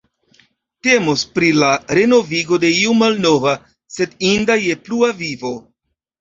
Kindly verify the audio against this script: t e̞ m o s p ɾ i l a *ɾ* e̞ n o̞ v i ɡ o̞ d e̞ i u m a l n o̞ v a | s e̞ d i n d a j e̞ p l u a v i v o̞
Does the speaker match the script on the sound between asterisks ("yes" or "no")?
yes